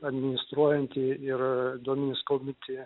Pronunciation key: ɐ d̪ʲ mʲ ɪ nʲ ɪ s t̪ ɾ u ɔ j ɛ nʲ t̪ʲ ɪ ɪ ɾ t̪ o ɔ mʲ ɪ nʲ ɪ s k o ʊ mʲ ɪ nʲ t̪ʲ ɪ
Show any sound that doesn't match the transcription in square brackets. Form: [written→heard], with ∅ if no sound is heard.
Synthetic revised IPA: ɐ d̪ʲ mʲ ɪ nʲ ɪ s t̪ ɾ u ɔ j ɛ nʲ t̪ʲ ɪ ɪ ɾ [t̪→d̪] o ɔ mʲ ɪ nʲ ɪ s k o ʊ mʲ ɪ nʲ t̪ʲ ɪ